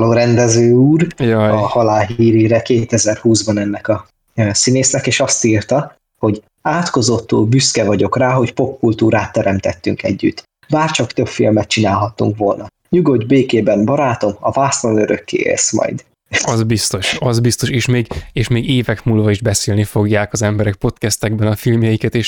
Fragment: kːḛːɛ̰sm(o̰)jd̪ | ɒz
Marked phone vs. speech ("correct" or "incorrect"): incorrect